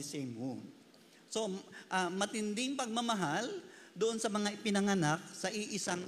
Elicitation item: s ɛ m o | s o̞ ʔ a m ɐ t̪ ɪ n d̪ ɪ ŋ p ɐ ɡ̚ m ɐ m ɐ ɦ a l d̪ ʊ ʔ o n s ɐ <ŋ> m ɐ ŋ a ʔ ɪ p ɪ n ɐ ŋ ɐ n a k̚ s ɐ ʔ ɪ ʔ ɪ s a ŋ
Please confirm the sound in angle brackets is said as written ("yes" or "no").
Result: no